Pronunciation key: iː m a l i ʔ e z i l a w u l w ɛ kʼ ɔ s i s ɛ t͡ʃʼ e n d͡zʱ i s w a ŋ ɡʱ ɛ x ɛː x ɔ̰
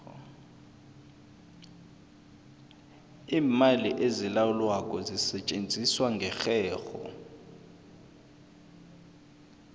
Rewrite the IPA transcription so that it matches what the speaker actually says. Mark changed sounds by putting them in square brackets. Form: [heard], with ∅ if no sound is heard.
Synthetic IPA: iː m a l i ʔ e z i l a w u l w [a] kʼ ɔ [z] i s ɛ t͡ʃʼ e n d͡zʱ i s w a ŋ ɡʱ ɛ x ɛː x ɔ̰